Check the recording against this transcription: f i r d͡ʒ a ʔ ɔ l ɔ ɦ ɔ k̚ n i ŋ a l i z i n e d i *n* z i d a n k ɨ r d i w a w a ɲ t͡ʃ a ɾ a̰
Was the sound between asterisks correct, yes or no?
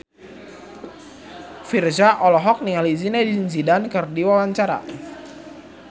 yes